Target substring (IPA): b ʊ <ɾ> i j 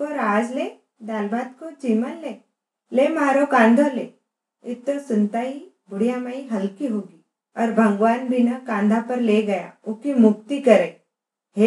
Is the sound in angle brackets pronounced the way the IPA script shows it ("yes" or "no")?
no